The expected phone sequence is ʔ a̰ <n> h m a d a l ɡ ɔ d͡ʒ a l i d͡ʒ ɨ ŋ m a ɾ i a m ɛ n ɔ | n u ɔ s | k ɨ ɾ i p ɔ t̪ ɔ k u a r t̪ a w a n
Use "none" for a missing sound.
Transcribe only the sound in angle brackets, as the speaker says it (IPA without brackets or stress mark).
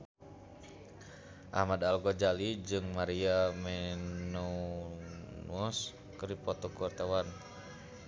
none